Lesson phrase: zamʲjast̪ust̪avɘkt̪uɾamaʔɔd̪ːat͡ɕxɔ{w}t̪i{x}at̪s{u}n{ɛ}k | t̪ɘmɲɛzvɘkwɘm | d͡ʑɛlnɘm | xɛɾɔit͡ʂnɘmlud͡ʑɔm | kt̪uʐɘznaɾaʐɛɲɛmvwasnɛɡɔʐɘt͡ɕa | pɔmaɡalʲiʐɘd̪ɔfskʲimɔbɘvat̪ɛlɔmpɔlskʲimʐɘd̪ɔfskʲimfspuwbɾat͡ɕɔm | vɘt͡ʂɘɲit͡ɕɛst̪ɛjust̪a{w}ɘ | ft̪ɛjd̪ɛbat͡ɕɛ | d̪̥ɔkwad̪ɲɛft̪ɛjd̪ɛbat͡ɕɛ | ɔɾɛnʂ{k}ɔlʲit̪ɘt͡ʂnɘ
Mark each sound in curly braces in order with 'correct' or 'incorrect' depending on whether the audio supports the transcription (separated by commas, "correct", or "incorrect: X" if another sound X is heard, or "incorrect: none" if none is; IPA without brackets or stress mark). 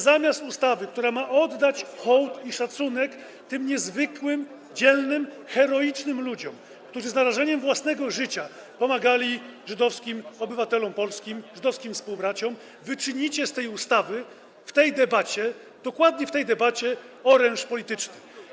correct, incorrect: ʂ, correct, correct, incorrect: v, incorrect: p